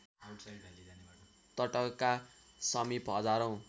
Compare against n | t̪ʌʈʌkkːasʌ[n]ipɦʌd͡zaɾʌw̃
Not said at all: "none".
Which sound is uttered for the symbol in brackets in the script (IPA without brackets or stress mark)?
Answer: m